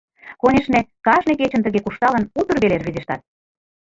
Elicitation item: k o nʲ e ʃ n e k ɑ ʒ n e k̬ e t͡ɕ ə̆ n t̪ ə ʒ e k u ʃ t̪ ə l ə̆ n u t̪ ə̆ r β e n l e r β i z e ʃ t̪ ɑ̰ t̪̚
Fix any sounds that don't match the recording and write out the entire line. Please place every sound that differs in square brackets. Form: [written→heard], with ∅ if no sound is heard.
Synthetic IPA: k o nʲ e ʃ n e k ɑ ʒ n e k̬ e t͡ɕ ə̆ n t̪ ə [ʒ→ɣ] e k u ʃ t̪ [ə→ɑ] l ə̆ n u t̪ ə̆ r β e [n→∅] l e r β i z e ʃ t̪ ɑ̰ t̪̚